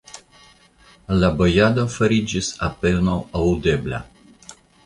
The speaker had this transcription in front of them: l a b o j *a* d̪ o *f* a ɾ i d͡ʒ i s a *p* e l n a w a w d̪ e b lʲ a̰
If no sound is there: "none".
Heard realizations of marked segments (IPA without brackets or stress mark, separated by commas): a, f, p